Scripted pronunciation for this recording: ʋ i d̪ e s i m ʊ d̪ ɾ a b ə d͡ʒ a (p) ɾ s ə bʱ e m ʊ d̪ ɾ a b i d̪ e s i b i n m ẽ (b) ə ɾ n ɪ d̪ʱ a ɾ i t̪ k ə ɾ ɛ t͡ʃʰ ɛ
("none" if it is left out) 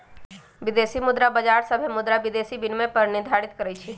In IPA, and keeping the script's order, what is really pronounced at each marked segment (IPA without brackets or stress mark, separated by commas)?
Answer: none, p